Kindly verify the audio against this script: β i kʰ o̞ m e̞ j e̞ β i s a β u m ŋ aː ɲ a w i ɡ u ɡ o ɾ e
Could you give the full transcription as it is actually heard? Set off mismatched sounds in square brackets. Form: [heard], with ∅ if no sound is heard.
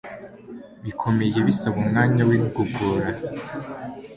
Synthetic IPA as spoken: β i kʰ o̞ m e̞ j e̞ β i s a β u m ŋ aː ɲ a w i ɡ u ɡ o ɾ [a]